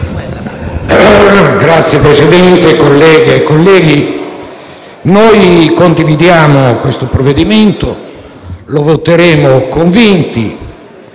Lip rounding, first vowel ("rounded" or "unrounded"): unrounded